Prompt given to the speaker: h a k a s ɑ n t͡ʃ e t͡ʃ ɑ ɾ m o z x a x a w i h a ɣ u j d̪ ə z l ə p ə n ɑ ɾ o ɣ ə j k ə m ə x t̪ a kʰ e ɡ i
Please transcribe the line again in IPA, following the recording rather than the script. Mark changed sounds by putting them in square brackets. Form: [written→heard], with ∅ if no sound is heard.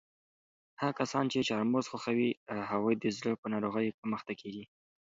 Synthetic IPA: h a k a s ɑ n t͡ʃ e t͡ʃ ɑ ɾ m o z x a x a w i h a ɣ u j d̪ ə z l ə p ə n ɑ ɾ o ɣ ə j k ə m ə x t̪ a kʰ e ɡ i